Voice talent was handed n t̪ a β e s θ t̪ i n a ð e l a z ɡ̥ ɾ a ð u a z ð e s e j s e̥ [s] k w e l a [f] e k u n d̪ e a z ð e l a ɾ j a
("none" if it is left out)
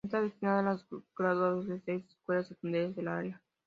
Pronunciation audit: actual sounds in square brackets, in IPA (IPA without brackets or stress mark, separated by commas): s, s